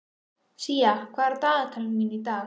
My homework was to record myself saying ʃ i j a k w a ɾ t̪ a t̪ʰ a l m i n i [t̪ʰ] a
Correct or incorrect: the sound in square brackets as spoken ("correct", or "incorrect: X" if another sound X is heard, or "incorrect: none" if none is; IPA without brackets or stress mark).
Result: incorrect: t̪